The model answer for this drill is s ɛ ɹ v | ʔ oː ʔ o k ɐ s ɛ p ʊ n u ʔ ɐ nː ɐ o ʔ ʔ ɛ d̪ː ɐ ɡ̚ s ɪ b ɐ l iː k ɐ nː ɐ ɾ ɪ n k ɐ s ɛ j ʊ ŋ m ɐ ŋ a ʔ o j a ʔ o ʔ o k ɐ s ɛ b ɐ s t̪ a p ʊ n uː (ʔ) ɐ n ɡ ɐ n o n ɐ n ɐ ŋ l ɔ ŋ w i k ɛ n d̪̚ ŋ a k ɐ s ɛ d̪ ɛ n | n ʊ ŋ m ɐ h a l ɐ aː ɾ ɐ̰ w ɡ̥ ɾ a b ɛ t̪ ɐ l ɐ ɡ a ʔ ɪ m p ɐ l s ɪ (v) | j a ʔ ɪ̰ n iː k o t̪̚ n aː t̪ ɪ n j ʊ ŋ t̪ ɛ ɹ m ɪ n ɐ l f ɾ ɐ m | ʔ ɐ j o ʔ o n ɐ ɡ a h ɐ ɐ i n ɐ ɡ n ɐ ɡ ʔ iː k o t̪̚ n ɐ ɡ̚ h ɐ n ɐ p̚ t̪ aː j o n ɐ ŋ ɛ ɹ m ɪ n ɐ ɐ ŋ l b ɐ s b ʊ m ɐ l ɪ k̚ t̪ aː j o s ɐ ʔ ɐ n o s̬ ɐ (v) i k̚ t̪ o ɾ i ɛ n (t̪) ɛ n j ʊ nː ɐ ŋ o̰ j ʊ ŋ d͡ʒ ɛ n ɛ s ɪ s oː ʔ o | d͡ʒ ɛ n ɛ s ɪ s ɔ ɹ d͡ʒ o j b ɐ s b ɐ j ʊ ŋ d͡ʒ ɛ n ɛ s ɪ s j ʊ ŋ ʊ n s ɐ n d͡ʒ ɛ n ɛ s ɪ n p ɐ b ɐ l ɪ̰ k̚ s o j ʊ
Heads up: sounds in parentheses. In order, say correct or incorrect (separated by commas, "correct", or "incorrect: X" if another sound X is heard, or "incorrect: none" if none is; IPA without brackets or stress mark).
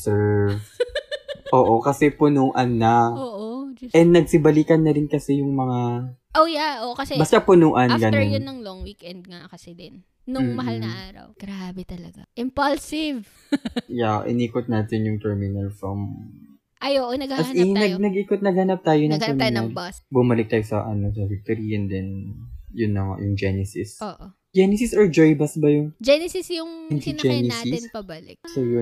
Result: correct, correct, correct, incorrect: d̪